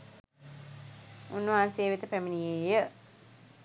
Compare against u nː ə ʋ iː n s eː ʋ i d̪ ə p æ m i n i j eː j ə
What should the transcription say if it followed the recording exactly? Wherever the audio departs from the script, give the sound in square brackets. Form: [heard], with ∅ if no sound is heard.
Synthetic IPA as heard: u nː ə ʋ [aː] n s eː ʋ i [t̪] ə p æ m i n i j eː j ə